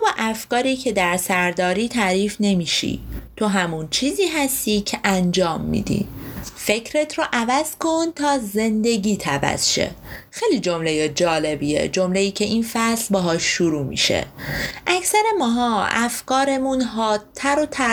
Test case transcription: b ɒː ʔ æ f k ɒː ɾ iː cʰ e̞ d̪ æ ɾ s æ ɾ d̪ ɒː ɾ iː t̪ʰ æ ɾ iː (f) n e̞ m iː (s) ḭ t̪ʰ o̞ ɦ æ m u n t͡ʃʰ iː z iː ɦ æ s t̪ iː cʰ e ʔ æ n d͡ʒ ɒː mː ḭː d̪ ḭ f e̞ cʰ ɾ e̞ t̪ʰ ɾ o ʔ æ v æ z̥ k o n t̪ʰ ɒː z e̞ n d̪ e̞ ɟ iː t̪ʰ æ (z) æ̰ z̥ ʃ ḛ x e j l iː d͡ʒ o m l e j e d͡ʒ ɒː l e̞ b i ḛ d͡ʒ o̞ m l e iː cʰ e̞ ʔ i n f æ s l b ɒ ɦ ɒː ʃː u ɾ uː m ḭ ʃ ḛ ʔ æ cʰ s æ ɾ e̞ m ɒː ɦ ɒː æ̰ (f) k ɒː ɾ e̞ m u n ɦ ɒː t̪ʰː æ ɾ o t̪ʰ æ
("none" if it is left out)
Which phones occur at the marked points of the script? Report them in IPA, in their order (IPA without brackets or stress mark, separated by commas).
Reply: f, ʃ, v, f